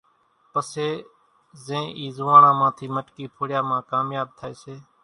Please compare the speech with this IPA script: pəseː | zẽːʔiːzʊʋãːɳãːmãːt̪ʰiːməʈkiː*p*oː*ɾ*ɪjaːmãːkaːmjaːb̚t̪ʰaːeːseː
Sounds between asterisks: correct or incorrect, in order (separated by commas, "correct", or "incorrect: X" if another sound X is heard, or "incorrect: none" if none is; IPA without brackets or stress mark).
incorrect: pʰ, incorrect: ɽ